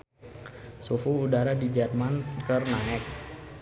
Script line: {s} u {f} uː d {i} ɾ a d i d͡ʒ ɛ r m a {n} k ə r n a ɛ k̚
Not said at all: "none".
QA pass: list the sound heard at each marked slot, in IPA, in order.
s, f, a, n

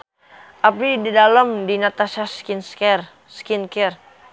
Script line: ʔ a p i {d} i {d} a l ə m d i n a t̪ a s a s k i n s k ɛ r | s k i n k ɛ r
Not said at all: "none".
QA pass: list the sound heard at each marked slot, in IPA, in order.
d, d

